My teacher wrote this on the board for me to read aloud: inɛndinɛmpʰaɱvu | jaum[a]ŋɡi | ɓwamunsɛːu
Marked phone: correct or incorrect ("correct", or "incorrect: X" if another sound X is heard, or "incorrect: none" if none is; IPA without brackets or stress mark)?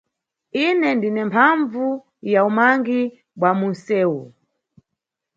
correct